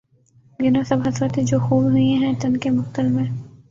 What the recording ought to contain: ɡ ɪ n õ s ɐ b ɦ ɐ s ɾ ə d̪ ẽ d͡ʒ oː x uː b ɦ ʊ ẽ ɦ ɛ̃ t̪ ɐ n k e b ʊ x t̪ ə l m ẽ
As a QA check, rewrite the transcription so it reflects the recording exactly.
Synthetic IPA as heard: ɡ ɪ n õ s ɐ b ɦ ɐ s ɾ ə t̪ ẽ d͡ʒ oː x uː b ɦ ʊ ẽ ɦ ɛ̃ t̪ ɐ n k e m ʊ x t̪ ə l m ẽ